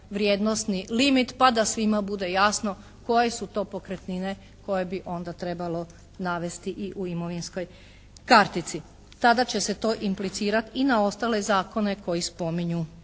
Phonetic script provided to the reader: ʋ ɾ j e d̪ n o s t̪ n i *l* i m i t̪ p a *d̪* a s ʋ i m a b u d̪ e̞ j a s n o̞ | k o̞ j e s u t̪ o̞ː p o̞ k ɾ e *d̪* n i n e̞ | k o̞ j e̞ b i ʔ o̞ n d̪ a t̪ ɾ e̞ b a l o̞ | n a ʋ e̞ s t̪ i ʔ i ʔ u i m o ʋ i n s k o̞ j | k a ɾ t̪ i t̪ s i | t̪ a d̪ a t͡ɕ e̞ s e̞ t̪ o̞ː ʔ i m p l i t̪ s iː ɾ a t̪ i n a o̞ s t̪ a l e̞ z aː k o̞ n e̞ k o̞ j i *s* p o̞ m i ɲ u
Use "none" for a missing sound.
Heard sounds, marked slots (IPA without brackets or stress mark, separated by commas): l, d̪, t̪, s